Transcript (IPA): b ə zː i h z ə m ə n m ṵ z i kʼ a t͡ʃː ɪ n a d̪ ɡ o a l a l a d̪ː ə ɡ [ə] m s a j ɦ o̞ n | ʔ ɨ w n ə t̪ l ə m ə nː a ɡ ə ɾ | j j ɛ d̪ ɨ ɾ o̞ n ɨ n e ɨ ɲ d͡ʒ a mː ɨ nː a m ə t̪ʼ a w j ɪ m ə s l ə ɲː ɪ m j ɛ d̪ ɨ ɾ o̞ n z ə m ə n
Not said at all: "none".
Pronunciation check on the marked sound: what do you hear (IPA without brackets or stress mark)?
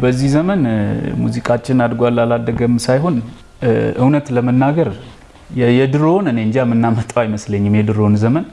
ə